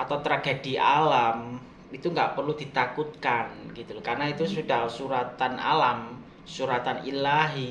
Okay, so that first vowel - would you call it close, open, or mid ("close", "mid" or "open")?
open